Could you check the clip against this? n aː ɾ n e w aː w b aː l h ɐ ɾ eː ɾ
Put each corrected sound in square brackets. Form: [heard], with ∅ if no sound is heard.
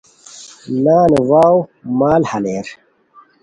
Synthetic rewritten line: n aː [∅] n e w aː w [m] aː l h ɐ [l] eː ɾ

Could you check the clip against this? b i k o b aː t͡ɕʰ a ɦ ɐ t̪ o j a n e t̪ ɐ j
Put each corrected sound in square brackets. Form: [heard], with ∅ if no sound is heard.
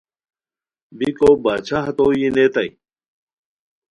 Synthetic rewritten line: b i k o b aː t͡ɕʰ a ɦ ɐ t̪ o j [i] n e t̪ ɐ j

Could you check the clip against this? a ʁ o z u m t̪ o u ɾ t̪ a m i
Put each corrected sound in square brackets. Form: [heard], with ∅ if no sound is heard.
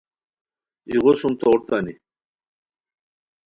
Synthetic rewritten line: [i] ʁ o [s] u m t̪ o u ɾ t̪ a [n] i

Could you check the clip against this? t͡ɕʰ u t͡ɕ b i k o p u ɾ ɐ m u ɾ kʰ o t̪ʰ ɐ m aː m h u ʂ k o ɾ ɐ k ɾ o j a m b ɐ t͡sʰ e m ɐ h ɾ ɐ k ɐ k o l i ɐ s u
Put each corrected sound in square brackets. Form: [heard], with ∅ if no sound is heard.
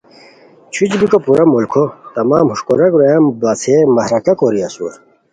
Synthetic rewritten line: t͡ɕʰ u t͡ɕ b i k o p u ɾ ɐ m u [l] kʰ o [t̪] ɐ m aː m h u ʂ k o ɾ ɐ k ɾ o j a m b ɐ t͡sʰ e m ɐ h ɾ ɐ k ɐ k o [ɾ] i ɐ s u

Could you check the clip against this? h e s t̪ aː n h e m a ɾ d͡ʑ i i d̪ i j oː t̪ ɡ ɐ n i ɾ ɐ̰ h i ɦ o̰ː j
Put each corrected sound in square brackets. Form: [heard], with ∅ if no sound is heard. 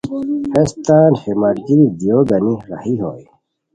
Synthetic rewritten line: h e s t̪ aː n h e m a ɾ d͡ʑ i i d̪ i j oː [∅] ɡ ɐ n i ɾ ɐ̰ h i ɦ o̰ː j

